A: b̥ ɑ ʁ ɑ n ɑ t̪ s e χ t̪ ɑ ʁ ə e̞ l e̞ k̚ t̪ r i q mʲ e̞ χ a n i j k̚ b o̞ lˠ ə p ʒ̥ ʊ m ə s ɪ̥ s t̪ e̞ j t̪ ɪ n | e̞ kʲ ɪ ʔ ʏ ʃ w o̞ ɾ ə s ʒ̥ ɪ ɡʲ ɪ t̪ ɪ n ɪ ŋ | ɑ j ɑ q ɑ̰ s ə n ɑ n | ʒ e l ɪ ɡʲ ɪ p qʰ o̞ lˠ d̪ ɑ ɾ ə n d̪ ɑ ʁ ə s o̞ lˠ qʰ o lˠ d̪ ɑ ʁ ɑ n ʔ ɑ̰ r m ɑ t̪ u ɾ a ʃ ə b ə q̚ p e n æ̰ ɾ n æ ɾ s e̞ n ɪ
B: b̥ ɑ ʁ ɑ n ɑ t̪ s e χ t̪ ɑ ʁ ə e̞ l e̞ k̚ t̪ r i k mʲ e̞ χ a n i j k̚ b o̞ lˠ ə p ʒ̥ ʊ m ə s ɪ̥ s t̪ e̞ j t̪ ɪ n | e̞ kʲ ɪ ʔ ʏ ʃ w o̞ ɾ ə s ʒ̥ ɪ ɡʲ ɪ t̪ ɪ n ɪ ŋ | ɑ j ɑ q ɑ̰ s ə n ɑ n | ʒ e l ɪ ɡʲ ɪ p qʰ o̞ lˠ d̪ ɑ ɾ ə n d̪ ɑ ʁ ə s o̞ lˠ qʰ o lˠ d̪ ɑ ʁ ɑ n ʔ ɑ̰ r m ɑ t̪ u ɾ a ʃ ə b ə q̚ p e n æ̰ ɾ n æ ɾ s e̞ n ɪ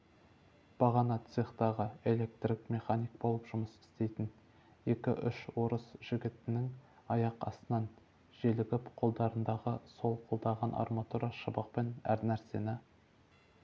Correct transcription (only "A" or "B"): B